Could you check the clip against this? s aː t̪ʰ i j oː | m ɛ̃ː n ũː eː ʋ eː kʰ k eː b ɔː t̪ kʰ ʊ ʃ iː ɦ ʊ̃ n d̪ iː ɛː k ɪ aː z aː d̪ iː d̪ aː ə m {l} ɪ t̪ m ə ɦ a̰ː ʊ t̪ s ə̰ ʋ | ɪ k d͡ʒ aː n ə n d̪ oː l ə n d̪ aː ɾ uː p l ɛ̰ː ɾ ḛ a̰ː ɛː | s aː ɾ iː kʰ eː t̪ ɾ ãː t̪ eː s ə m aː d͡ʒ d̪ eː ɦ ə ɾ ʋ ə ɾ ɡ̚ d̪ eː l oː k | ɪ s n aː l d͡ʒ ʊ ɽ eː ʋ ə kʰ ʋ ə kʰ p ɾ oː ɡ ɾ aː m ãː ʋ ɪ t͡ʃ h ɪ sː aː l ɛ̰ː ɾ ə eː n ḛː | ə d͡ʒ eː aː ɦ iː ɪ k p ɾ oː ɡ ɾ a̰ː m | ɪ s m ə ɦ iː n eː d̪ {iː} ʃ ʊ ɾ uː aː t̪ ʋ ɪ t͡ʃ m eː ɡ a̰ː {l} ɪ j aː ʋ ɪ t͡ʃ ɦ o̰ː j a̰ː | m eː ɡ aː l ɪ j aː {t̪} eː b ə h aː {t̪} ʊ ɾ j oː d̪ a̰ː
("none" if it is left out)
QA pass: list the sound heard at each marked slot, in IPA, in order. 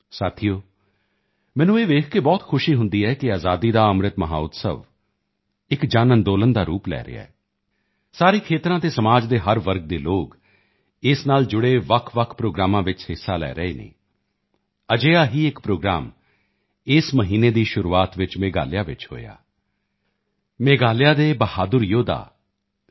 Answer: ɾ, iː, l, d̪, d̪

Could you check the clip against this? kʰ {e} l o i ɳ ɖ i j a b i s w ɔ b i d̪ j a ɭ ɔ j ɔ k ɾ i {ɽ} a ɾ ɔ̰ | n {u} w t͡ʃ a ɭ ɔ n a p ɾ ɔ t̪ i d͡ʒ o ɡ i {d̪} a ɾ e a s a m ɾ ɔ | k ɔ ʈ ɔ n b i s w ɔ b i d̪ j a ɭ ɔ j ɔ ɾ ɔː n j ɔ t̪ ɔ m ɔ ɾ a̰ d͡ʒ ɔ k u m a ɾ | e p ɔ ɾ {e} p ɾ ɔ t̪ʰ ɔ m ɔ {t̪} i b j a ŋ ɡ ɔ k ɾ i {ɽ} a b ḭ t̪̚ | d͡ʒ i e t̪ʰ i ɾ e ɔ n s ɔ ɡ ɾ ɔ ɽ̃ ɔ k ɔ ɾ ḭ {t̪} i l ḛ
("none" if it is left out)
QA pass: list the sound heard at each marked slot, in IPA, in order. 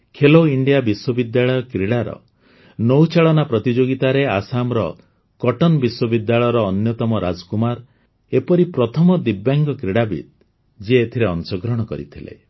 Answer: e, ɽ, o, t̪, i, d̪, ɽ, t̪ʰ

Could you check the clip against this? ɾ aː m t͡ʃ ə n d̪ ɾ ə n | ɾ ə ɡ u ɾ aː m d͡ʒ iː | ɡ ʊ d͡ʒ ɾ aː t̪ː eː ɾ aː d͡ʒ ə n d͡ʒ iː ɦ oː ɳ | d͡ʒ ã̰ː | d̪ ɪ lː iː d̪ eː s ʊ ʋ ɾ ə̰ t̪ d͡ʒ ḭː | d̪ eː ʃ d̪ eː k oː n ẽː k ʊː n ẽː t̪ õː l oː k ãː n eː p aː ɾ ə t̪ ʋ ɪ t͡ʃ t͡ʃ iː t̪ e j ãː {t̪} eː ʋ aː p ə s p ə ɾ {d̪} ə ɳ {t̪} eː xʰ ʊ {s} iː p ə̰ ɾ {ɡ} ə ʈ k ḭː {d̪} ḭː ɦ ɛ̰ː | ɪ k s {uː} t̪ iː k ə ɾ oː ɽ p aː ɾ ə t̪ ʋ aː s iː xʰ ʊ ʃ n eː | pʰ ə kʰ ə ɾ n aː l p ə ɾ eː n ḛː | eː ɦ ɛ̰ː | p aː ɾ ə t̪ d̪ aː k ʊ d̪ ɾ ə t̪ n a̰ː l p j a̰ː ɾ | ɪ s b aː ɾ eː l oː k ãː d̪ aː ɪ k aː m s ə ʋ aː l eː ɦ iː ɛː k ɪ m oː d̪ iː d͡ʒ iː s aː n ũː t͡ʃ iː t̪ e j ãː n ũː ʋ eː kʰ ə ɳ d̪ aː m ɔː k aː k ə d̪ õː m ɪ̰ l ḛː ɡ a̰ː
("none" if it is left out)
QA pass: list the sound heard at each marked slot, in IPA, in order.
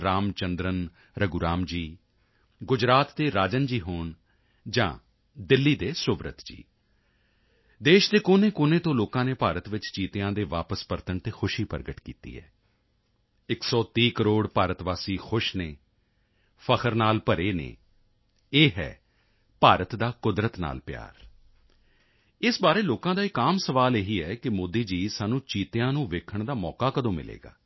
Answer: d̪, t̪, t̪, ʃ, ɡ, t̪, ɔː

